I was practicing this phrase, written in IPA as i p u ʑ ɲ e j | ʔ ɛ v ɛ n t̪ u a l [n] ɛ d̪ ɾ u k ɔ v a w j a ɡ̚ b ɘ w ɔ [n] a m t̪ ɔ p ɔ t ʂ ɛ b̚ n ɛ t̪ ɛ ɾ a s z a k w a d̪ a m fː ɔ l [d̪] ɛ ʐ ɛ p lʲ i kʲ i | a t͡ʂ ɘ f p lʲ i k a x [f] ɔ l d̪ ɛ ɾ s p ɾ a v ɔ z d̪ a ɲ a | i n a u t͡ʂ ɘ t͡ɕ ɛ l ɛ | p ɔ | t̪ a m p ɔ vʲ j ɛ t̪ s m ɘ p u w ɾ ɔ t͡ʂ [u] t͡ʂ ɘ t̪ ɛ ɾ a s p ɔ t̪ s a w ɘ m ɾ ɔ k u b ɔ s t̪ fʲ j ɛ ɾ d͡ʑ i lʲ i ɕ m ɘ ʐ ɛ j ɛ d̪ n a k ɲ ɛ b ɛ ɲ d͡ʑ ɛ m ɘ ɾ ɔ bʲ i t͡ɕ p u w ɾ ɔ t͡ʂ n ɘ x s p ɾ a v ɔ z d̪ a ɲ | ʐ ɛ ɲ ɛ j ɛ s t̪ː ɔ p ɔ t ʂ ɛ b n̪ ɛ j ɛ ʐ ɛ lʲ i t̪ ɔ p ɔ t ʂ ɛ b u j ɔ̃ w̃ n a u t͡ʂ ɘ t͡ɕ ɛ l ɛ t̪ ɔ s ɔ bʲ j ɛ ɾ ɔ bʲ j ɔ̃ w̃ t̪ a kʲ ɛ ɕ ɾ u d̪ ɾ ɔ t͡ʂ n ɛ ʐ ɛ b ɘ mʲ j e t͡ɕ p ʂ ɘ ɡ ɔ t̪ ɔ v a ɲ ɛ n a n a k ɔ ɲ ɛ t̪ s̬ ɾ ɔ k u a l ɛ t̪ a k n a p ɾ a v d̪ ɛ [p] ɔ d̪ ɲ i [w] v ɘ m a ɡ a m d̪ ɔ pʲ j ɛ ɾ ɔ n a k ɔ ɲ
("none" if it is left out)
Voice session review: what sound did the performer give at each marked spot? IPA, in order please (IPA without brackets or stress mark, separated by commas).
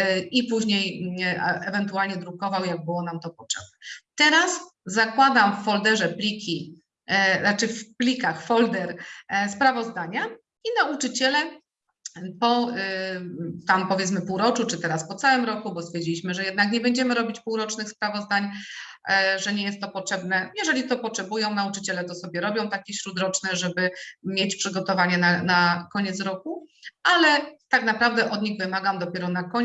ɲ, n, d̪, f, u, ʔ, ɣ